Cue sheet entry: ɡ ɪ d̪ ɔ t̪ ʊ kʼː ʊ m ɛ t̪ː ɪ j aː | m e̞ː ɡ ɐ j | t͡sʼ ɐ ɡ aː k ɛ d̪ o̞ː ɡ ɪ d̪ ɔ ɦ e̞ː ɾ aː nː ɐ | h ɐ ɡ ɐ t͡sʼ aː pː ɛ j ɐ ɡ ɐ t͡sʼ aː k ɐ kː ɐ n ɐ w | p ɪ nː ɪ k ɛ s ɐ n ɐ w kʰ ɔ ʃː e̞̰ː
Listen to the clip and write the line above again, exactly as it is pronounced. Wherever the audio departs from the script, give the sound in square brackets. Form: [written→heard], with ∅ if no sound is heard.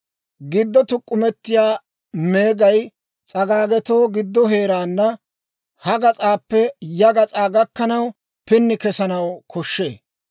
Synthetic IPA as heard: ɡ ɪ [d̪→d̪ː] ɔ t̪ ʊ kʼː ʊ m ɛ t̪ː ɪ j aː | m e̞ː ɡ ɐ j | t͡sʼ ɐ ɡ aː [k→ɡ] ɛ [d̪→t̪] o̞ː ɡ ɪ [d̪→d̪ː] ɔ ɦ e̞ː ɾ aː nː ɐ | h ɐ ɡ ɐ t͡sʼ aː pː ɛ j ɐ ɡ ɐ t͡sʼ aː [k→ɡ] ɐ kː ɐ n ɐ w | p ɪ nː ɪ k ɛ s ɐ n ɐ w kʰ ɔ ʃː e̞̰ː